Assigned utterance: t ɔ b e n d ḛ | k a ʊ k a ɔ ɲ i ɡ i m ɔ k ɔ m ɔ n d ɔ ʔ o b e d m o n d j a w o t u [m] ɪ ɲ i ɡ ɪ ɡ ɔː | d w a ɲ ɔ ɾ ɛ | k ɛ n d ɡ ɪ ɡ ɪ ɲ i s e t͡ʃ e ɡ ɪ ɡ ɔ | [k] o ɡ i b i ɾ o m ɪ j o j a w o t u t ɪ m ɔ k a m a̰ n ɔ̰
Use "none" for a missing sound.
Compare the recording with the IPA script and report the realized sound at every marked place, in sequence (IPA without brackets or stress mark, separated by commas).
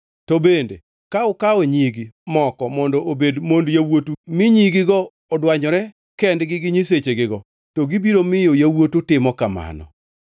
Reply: m, t